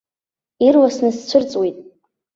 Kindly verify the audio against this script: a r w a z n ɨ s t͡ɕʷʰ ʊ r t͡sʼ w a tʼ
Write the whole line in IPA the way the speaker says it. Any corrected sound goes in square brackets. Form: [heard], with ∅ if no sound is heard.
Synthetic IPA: [i] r w a [s] n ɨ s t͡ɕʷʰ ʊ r t͡sʼ w [i] tʼ

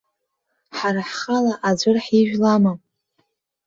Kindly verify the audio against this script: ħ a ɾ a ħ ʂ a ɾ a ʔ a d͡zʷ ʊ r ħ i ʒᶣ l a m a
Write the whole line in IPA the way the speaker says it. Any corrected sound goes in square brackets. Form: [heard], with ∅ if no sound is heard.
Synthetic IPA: ħ a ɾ a ħ [χ] a [l] a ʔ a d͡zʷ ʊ r ħ i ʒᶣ l a m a

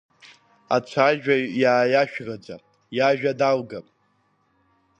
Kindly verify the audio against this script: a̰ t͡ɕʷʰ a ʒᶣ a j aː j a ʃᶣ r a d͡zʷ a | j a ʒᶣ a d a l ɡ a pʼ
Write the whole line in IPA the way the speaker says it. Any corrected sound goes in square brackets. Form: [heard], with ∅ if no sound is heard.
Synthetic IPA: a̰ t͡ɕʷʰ a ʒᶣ a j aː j a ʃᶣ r a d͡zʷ a | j a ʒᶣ a d a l ɡ a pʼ

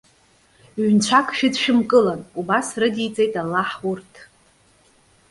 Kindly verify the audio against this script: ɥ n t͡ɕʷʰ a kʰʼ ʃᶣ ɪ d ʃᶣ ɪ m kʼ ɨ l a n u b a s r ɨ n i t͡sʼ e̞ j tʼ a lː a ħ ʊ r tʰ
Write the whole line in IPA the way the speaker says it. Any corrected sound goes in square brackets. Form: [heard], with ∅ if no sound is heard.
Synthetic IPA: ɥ n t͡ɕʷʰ a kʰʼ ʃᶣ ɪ d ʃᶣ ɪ m kʼ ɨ l a n u b a s r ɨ [d] i t͡sʼ e̞ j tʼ a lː a ħ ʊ r tʰ

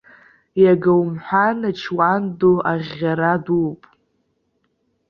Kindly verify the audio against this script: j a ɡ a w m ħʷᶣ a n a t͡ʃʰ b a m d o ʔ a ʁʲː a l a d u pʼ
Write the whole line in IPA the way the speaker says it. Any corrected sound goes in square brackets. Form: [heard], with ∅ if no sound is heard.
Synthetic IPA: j a ɡ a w m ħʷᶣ a n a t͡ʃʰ [w] a [n] d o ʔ a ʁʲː a [ɾ] a d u pʼ

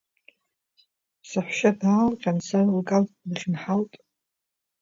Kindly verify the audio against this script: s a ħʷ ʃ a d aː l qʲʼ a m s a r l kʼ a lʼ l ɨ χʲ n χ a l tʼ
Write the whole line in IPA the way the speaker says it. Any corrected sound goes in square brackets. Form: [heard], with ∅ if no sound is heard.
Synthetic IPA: s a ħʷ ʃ a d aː l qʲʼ a [n] s a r l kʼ a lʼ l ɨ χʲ n [ħ] a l tʼ

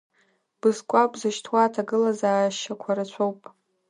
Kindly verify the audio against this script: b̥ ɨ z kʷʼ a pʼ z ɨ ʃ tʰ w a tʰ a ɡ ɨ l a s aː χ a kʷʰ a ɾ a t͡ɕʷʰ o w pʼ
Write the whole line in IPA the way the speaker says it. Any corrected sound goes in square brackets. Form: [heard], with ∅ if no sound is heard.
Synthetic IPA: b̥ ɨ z kʷʼ a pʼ z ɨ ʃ tʰ w a tʰ a ɡ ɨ l a [z] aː [ʃ] a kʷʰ a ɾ a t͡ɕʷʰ o w pʼ

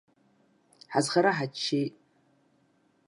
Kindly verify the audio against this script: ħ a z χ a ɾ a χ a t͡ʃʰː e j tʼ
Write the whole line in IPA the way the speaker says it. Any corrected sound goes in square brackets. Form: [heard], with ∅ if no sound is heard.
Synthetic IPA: ħ a z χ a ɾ a [ħ] a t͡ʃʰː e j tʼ

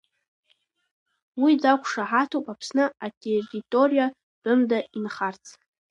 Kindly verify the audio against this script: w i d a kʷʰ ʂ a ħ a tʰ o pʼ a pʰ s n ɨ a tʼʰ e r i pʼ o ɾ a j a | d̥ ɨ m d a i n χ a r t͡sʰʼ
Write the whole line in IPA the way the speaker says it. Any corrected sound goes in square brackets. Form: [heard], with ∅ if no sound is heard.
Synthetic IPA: w i [d͡z] a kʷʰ ʂ a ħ a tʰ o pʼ a pʰ s n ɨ a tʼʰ e r i [tʼ] o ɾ [i] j a | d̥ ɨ m d a i n χ a r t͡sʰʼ

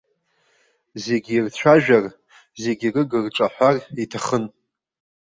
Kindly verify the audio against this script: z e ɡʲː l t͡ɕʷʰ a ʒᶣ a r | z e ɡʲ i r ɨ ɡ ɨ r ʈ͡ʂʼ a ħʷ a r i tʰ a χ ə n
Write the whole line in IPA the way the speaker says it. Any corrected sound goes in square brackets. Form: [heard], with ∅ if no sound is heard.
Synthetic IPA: z e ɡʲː [r] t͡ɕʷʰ a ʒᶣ a r | z e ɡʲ i r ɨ ɡ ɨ r ʈ͡ʂʼ a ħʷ a r i tʰ a χ ə n

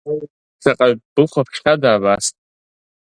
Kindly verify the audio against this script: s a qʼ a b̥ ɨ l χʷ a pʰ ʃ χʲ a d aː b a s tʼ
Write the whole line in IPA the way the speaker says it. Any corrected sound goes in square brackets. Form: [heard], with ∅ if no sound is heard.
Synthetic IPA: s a qʼ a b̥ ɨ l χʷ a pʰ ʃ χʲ a d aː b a s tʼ

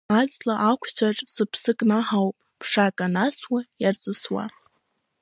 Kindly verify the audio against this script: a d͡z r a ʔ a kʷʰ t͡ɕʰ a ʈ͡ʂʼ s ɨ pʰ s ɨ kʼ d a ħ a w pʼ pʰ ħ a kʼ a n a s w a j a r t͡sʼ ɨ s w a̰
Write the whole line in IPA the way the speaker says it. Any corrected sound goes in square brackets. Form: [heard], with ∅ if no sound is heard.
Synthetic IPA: a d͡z [l] a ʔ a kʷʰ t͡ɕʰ a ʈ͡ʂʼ s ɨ pʰ s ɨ kʼ [n] a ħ a w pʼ pʰ [ʂ] a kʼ a n a s w a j a r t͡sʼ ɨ s w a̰

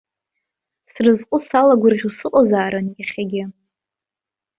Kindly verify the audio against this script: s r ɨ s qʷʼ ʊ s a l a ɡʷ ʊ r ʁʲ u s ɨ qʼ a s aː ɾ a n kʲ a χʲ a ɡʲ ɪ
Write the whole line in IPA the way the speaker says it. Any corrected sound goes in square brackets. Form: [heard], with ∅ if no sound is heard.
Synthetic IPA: s r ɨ [z] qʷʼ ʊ s a l a ɡʷ ʊ r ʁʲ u s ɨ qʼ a [z] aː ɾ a n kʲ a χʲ a ɡʲ ɪ

